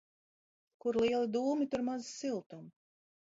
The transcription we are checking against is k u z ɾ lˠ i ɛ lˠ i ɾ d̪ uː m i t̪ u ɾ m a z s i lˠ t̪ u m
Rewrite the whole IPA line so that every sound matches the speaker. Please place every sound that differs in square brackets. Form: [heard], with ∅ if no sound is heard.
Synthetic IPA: k u [∅] ɾ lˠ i ɛ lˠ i [∅] d̪ uː m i t̪ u ɾ m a z s i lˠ t̪ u m